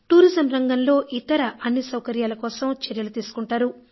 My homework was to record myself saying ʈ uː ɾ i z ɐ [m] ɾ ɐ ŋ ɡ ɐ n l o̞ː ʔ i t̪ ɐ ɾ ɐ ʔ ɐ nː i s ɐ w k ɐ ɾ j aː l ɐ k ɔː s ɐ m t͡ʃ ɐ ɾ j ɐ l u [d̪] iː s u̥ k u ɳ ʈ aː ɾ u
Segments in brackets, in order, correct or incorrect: correct, incorrect

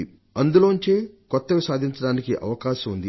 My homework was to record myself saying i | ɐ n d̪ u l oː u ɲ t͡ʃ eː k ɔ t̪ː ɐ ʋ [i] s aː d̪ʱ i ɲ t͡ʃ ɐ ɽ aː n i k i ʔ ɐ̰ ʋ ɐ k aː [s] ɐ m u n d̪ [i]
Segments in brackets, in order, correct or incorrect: correct, incorrect, correct

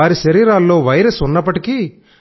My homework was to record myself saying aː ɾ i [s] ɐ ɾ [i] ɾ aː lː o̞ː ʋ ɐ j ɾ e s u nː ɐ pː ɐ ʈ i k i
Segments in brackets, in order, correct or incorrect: incorrect, incorrect

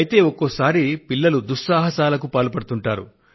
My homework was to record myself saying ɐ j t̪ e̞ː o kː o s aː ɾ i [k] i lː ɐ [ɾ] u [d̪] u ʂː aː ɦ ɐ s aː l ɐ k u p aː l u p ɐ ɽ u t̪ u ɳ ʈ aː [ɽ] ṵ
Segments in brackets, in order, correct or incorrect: incorrect, incorrect, correct, incorrect

